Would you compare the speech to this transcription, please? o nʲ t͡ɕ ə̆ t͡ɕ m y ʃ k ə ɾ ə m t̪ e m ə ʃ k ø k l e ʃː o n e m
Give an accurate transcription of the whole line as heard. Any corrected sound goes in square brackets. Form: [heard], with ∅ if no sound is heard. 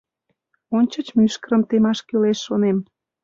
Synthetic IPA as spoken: o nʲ t͡ɕ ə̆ t͡ɕ m y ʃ k ə ɾ ə m t̪ e m [ɑ] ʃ k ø [∅] l e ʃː o n e m